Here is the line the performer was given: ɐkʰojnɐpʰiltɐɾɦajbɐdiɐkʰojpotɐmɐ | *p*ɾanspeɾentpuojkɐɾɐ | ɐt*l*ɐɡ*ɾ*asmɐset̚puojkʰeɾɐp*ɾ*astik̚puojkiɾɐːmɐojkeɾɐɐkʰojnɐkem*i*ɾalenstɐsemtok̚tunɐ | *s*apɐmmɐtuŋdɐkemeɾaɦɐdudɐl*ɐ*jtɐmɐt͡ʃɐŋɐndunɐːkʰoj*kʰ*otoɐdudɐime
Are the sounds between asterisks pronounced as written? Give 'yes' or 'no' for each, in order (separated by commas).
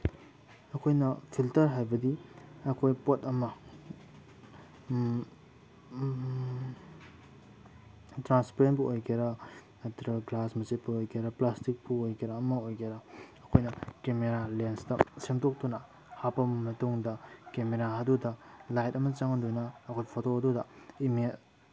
no, no, no, no, no, no, no, no